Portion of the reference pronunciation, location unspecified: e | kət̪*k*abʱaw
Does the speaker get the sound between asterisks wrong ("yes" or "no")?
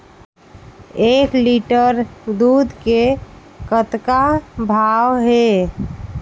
no